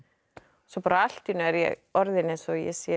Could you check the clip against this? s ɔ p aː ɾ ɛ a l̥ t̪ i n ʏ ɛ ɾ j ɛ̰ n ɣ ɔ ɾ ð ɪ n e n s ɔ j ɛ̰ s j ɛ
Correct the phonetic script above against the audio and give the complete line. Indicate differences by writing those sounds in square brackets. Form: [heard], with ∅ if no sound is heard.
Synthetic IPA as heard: s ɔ p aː ɾ [a] a l̥ t̪ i n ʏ ɛ ɾ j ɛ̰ [∅] ɣ ɔ ɾ ð ɪ n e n s ɔ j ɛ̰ s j ɛ